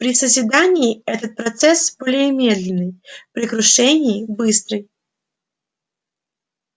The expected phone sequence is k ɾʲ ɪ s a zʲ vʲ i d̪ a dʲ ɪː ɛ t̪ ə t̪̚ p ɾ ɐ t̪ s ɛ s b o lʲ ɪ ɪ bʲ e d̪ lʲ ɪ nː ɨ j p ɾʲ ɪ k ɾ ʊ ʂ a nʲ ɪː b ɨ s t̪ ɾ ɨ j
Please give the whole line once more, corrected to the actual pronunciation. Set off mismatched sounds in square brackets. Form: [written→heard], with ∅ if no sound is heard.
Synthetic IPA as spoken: [k→p] ɾʲ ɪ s [a→ə] zʲ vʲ [i→ɪ] d̪ a [dʲ→nʲ] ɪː ɛ t̪ ə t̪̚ p ɾ ɐ t̪ s ɛ s b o lʲ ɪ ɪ [bʲ→mʲ] e d̪ lʲ ɪ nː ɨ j p ɾʲ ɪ k ɾ ʊ ʂ [a→ɛ] nʲ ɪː b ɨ s t̪ ɾ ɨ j